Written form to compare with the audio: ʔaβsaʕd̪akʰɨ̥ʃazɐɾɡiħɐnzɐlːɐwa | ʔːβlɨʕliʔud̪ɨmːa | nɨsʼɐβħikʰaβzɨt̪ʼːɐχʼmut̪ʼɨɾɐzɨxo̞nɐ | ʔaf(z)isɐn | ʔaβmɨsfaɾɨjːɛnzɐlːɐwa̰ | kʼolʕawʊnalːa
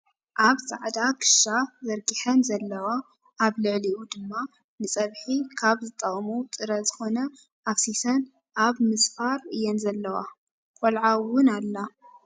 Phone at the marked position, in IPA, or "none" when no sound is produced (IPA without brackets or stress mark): s